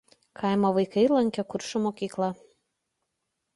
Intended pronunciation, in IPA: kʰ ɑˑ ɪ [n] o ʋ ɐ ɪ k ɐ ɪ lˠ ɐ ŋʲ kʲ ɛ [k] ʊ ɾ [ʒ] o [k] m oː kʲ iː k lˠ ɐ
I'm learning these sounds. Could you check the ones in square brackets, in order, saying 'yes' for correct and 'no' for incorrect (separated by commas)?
no, yes, no, no